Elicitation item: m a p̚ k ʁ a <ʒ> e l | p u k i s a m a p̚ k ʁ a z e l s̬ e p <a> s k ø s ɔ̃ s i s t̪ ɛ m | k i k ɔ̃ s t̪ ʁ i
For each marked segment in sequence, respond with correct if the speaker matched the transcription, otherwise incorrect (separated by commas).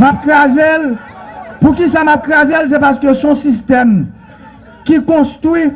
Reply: incorrect, correct